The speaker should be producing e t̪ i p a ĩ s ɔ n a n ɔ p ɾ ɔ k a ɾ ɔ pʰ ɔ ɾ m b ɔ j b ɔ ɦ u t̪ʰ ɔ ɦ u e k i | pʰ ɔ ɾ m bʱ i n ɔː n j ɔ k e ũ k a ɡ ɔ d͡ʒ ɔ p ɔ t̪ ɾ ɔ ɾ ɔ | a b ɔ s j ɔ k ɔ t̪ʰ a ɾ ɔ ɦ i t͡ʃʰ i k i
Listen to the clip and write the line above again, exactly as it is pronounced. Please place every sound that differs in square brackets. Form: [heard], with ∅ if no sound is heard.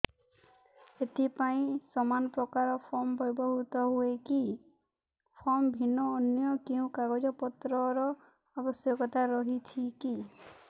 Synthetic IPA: e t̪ i p a ĩ s ɔ [m] a n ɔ p ɾ ɔ k a ɾ ɔ pʰ ɔ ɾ m b ɔ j b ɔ ɦ u [t̪] ɔ ɦ u e k i | pʰ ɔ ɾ m bʱ i n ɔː n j ɔ k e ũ k a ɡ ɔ d͡ʒ ɔ p ɔ t̪ ɾ ɔ ɾ ɔ | a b ɔ s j ɔ k ɔ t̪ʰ a ɾ ɔ ɦ i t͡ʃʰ i k i